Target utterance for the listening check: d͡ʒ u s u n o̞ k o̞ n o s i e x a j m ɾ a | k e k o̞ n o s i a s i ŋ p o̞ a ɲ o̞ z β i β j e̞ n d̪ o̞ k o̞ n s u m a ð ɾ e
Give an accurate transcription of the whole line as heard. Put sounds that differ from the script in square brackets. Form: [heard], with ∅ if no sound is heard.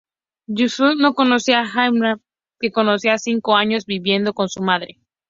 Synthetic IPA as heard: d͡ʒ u s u n o̞ k o̞ n o s i [a] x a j m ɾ a | k e k o̞ n o s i a s i ŋ [k] o̞ a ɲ o̞ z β i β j e̞ n d̪ o̞ k o̞ n s u m a ð ɾ e